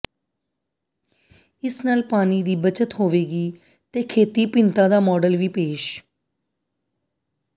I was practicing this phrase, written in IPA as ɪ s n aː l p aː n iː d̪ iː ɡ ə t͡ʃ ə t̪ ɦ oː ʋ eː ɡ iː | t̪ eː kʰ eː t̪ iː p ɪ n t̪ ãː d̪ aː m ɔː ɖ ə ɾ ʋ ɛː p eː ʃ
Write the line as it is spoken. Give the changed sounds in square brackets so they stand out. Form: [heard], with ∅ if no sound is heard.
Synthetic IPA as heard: ɪ s n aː l p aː n iː d̪ iː [b] ə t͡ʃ ə t̪ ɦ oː ʋ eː ɡ iː | t̪ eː kʰ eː t̪ iː p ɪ n t̪ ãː d̪ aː m ɔː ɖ ə [l] ʋ [iː] p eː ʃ